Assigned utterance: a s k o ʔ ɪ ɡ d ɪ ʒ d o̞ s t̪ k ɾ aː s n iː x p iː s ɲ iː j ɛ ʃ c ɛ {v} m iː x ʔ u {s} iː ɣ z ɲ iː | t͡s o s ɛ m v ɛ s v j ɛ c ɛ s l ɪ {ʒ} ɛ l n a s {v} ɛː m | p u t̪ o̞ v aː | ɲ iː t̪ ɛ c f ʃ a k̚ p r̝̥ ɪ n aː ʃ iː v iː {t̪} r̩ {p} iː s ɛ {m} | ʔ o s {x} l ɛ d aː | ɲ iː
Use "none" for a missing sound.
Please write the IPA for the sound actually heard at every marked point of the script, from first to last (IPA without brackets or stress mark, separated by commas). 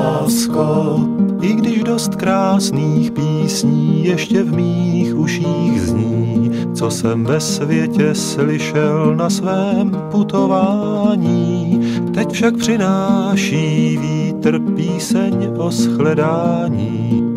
v, ʃ, ʃ, v, t̪, p, ɲ, x